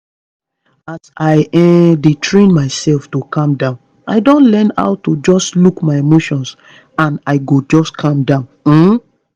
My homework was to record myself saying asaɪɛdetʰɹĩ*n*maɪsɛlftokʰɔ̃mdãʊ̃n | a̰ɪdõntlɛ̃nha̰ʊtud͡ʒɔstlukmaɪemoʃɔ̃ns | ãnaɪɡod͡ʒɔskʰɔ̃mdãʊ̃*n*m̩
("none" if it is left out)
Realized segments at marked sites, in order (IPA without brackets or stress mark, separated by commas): n, n